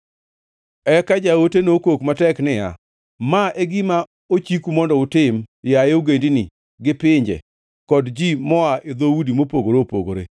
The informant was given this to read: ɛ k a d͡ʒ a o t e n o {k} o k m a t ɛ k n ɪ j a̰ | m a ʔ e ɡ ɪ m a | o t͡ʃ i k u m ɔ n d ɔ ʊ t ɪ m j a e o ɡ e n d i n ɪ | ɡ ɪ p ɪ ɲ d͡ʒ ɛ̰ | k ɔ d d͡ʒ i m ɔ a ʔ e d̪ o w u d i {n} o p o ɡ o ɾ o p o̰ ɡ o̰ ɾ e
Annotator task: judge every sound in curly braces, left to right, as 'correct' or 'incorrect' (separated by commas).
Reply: correct, incorrect